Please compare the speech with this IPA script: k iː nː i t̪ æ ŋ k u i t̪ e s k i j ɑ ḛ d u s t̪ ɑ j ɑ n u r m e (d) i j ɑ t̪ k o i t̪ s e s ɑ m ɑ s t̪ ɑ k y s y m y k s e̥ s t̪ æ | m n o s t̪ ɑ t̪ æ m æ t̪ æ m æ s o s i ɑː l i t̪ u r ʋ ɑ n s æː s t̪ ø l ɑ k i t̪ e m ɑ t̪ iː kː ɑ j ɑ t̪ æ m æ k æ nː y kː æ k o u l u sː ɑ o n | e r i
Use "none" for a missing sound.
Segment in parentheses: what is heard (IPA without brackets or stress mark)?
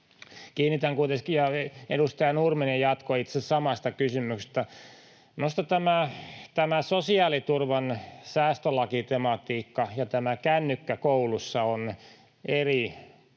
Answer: n